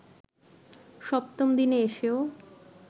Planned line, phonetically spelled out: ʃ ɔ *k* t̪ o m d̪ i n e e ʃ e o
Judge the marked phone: incorrect: p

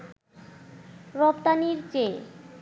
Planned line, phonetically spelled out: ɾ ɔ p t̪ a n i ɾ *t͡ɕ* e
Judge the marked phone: correct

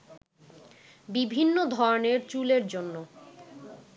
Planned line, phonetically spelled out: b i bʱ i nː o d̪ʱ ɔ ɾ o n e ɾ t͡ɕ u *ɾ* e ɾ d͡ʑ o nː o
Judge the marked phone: incorrect: l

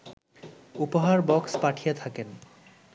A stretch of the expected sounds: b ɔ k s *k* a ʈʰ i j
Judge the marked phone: incorrect: p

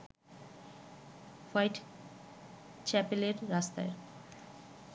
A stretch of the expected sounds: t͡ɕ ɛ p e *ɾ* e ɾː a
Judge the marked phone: incorrect: l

